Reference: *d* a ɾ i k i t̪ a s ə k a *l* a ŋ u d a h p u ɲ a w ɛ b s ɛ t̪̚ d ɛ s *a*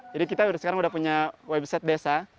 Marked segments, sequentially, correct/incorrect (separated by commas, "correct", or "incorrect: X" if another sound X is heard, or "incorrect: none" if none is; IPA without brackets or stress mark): incorrect: d͡ʒ, incorrect: ɾ, correct